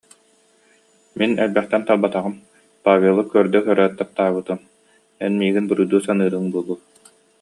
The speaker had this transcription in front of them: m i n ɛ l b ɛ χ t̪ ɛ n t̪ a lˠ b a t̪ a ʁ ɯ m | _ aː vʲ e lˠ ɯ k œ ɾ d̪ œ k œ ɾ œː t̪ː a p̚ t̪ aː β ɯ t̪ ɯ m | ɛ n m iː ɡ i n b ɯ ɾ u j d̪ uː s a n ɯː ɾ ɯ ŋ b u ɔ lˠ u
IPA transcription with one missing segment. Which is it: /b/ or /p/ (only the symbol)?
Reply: p